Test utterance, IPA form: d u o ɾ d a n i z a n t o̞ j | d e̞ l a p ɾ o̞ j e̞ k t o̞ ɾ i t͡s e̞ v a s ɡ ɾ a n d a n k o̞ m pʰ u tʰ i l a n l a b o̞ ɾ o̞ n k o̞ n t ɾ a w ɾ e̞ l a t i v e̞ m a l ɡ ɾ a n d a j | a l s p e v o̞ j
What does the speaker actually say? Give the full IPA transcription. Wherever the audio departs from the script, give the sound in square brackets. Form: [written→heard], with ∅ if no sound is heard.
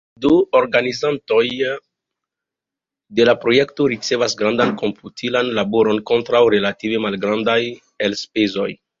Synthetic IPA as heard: d u o ɾ [d→ɡ] a n i z a n t o̞ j | d e̞ l a p ɾ o̞ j e̞ k t o̞ ɾ i t͡s e̞ v a s ɡ ɾ a n d a n k o̞ m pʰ u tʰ i l a n l a b o̞ ɾ o̞ n k o̞ n t ɾ a w ɾ e̞ l a t i v e̞ m a l ɡ ɾ a n d a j | [a→e] l s p e [v→z] o̞ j